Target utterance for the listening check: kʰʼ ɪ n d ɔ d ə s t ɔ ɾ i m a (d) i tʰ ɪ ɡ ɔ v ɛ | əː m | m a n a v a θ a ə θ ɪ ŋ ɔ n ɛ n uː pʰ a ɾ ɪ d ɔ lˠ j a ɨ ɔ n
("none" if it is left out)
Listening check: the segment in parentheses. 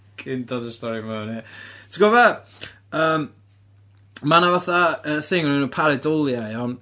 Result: n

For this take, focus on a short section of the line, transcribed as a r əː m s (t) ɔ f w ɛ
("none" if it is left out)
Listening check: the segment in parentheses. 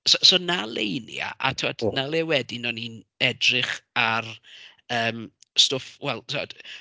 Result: t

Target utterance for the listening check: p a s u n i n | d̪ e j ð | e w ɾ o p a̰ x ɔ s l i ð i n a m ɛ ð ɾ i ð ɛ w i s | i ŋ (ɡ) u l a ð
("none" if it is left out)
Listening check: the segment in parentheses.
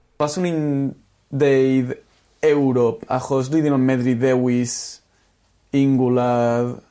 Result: ɡ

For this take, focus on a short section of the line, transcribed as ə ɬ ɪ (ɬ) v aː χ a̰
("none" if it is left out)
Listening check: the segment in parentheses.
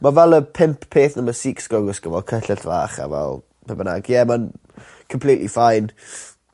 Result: ɬ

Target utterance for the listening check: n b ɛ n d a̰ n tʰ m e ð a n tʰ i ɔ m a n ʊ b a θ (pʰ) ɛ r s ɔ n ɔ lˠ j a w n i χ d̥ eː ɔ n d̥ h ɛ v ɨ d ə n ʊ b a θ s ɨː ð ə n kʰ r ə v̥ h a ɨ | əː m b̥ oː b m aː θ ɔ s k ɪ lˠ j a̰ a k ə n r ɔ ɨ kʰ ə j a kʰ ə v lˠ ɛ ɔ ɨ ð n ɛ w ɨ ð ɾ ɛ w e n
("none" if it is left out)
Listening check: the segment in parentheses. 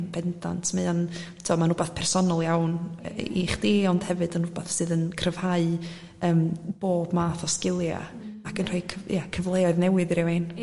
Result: pʰ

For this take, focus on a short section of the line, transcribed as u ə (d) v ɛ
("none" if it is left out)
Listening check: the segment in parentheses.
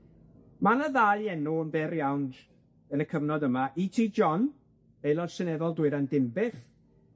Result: n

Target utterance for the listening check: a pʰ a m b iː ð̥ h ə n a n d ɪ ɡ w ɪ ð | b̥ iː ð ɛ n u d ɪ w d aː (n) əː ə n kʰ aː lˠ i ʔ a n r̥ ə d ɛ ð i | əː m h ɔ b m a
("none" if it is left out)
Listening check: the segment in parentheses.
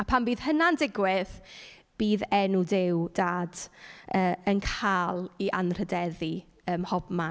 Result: d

